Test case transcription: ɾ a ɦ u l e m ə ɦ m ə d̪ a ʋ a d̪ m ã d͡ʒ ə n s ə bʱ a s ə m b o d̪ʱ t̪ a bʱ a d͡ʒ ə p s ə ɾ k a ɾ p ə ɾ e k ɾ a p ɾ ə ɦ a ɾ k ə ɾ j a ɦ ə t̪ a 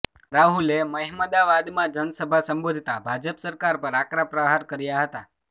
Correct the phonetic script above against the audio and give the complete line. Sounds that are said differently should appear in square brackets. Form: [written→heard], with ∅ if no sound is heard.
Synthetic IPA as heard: ɾ a ɦ u l e m ə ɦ m ə d̪ a ʋ a d̪ m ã d͡ʒ ə n s ə bʱ a s ə m b o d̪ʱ t̪ a bʱ a d͡ʒ ə p s ə ɾ k a ɾ p ə ɾ [e→a] k ɾ a p ɾ ə ɦ a ɾ k ə ɾ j a ɦ ə t̪ a